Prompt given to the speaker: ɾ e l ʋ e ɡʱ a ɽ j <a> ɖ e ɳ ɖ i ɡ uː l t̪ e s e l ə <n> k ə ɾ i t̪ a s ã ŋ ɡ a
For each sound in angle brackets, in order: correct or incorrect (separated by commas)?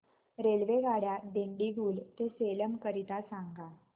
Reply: correct, incorrect